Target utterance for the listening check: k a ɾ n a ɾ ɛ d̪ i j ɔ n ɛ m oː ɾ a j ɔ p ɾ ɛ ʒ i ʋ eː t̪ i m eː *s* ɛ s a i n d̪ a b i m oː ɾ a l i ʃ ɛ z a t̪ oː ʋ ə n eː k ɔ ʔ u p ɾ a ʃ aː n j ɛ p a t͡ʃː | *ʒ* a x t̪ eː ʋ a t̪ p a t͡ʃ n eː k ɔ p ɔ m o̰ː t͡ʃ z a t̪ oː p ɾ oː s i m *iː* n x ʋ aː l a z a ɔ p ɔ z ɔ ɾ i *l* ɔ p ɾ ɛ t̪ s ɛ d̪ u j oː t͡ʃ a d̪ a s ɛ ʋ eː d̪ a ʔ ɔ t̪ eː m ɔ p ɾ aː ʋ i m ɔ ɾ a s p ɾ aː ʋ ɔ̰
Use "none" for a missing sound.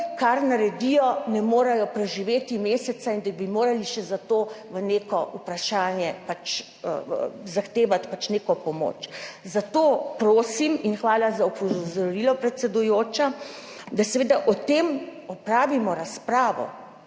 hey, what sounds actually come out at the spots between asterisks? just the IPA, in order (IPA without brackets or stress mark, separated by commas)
s, z, i, l